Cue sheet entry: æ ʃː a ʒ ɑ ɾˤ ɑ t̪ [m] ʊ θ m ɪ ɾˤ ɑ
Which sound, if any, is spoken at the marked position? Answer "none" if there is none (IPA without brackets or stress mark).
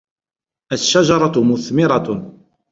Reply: m